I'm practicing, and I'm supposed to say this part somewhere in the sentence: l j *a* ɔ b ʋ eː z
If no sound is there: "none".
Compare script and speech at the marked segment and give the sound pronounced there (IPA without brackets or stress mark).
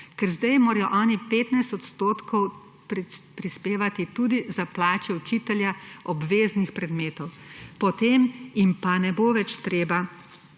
a